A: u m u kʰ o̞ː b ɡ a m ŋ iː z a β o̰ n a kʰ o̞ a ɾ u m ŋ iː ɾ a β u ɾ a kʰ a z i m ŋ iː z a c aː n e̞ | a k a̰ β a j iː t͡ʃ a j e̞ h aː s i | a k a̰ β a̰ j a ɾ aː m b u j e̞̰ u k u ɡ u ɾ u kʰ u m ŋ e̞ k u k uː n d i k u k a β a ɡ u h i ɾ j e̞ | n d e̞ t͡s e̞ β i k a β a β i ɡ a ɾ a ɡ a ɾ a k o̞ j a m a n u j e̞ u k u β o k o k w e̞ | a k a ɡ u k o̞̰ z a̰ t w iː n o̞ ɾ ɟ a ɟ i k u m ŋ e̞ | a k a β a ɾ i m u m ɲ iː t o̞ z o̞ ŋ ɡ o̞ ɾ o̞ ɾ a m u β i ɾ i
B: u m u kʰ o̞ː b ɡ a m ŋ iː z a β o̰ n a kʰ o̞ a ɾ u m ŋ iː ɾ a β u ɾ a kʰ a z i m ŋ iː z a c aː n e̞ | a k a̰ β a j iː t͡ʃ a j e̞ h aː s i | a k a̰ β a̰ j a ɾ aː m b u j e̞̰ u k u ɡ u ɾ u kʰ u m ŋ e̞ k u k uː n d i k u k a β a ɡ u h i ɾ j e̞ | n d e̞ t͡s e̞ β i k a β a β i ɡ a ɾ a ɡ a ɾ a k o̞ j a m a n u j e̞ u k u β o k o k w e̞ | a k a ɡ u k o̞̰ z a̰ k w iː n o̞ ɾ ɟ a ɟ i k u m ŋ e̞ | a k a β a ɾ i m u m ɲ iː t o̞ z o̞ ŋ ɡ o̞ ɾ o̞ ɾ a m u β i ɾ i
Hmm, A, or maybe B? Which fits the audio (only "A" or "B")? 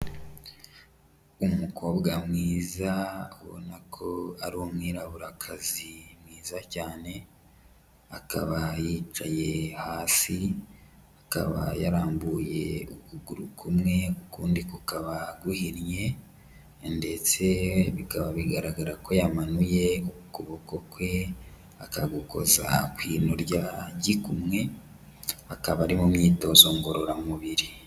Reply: B